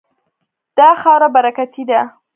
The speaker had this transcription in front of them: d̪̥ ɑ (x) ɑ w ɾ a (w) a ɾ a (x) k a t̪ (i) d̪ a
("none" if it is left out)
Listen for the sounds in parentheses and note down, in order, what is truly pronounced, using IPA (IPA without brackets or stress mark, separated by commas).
x, b, none, i